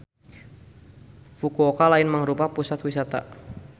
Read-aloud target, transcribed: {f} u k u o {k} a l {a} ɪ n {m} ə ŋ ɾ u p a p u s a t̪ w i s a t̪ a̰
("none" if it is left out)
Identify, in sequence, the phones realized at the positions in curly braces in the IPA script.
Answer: f, k, a, m

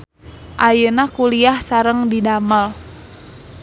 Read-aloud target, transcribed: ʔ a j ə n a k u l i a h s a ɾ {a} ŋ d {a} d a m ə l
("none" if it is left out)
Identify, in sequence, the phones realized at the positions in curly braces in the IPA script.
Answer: ə, i

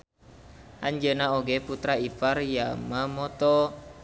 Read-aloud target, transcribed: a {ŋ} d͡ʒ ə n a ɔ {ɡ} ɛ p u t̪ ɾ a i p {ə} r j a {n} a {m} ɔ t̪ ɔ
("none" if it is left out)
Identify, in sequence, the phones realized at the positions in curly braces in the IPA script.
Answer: ɲ, ɡ, a, m, m

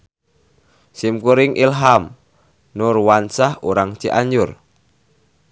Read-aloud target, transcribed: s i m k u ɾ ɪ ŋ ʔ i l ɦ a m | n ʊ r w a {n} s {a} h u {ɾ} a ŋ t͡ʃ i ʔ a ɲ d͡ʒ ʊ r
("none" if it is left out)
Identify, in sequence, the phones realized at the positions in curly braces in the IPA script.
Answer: n, a, ɾ

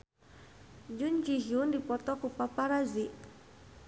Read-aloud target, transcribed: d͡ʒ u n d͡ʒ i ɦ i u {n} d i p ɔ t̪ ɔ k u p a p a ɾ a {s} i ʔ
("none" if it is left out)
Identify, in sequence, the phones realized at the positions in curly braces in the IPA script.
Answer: n, z

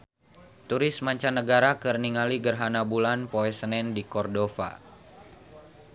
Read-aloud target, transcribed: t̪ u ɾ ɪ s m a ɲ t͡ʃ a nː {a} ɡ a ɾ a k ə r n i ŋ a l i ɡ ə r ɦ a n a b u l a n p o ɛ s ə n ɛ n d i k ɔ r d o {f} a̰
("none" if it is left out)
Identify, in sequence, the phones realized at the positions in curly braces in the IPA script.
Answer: ə, f

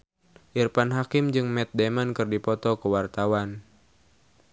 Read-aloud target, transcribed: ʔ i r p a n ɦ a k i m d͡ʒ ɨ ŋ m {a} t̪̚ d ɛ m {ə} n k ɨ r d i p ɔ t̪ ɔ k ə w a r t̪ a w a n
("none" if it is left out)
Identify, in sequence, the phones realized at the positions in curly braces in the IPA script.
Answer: ɛ, a

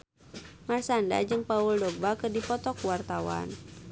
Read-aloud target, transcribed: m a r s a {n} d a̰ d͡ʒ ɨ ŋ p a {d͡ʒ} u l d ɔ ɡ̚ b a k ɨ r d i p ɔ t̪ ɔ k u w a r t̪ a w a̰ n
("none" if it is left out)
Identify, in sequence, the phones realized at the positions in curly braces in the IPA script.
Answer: n, none

